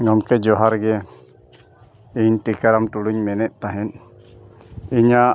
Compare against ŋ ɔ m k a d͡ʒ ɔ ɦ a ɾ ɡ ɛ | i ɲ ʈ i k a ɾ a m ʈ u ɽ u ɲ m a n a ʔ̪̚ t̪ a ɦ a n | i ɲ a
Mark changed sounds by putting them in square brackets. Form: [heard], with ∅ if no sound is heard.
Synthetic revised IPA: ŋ ɔ m k [ɛ] d͡ʒ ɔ ɦ a ɾ ɡ ɛ | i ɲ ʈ i k a ɾ a m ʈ u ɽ u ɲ m [ɛ] n [ɛ] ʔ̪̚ t̪ a ɦ [ɛ] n | i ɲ a